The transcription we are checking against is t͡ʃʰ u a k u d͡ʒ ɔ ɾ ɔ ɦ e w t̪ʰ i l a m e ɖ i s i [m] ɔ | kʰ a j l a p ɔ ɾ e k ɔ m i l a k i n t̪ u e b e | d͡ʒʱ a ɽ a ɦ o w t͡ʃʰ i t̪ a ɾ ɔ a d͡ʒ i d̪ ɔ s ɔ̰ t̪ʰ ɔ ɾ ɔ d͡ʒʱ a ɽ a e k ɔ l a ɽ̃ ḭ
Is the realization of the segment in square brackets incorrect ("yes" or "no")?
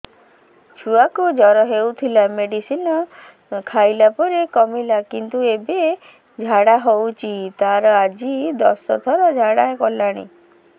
yes